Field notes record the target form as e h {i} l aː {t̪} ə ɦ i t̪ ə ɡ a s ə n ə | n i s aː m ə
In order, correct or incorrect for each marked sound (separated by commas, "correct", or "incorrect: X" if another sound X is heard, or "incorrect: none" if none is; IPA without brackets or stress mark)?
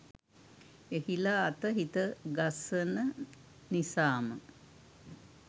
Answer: correct, correct